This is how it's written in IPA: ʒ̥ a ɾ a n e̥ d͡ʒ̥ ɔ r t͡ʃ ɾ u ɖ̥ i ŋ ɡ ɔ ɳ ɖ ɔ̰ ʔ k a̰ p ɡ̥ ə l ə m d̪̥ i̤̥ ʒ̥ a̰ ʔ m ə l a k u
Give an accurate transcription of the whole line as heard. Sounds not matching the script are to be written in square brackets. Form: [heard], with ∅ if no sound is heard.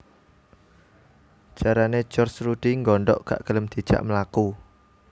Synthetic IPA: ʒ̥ a ɾ a n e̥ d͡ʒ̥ ɔ r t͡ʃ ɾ u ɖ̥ i ŋ ɡ ɔ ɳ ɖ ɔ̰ ʔ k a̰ [ʔ] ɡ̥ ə l ə m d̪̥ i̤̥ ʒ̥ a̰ ʔ m ə l a k u